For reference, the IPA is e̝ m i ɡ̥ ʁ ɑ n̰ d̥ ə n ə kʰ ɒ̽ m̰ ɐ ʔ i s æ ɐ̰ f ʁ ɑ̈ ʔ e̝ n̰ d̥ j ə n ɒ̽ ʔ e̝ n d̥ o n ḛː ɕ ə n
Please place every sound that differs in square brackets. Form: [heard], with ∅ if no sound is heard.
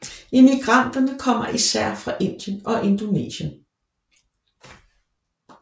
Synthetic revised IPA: e̝ m i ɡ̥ ʁ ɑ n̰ d̥ [ɐ] n ə kʰ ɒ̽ m̰ ɐ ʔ i s æ ɐ̰ f ʁ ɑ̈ ʔ e̝ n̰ d̥ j ə n ɒ̽ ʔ e̝ n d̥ o n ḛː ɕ ə n